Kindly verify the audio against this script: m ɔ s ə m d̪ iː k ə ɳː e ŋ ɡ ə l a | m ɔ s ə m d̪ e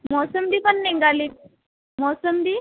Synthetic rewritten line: m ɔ s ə m d̪ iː p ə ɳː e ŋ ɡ a l i | m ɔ s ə m d̪ i